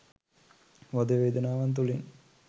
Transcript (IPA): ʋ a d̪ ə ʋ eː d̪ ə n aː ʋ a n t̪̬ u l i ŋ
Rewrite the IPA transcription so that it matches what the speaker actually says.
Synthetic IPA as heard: ʋ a d̪ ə ʋ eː d̪ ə n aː ʋ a n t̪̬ u l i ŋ